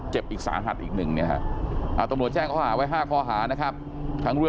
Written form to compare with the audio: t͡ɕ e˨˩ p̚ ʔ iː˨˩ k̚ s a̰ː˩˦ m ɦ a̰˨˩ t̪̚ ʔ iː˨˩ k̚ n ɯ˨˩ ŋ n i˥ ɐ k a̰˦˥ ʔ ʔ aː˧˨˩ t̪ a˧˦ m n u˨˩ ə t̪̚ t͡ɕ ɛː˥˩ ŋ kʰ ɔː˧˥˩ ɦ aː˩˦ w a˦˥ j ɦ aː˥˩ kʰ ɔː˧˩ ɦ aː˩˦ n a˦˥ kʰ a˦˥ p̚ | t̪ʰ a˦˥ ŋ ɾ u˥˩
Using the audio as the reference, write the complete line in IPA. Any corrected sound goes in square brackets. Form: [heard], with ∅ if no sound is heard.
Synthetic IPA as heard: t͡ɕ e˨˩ p̚ ʔ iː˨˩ k̚ s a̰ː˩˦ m ɦ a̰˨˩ t̪̚ ʔ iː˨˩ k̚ n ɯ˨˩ ŋ n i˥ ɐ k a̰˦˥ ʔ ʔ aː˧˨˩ t̪ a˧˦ m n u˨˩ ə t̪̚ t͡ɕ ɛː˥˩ ŋ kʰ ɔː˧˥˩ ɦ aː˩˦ w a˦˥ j ɦ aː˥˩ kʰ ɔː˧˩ ɦ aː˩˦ n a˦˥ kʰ a˦˥ p̚ | t̪ʰ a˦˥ ŋ ɾ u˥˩